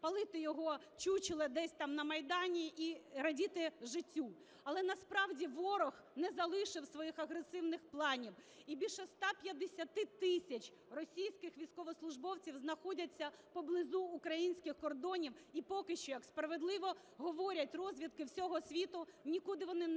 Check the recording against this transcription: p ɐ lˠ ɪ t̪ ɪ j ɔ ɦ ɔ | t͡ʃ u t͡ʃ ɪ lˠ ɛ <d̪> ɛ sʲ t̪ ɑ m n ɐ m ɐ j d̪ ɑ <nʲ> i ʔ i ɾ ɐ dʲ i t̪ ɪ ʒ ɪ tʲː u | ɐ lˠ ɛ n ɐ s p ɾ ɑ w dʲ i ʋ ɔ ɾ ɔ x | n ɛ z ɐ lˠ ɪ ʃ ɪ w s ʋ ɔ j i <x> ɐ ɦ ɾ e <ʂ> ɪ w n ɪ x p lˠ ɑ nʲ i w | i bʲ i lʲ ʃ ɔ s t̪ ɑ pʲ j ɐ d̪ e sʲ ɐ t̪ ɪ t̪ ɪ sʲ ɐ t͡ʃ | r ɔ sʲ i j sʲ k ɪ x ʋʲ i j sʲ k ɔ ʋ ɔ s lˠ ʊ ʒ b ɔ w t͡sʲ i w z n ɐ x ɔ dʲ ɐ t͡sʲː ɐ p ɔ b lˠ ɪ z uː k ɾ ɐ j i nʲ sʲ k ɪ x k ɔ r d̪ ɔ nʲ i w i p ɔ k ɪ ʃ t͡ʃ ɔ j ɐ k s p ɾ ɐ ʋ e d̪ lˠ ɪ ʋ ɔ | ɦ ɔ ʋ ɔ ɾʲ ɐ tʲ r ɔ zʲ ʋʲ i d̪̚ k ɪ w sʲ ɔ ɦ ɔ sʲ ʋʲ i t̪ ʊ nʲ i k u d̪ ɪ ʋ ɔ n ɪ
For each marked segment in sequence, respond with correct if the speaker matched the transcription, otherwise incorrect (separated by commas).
correct, correct, correct, incorrect